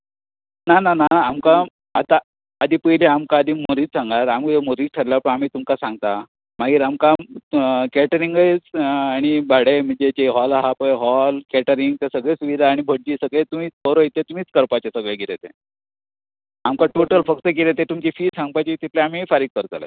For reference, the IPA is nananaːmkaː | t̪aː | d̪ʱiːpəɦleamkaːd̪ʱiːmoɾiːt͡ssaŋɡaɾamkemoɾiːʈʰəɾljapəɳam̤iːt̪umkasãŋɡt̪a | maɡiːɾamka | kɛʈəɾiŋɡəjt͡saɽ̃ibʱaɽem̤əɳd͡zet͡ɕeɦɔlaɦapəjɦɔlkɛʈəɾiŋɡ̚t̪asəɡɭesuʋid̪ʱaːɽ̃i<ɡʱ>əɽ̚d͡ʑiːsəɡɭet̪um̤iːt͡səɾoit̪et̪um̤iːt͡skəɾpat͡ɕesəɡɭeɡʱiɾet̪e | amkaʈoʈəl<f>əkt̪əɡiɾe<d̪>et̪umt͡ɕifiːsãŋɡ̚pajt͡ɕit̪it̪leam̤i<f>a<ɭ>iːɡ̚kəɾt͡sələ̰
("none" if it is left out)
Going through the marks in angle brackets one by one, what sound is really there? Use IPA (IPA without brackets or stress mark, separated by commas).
bʱ, f, t̪, f, ɾ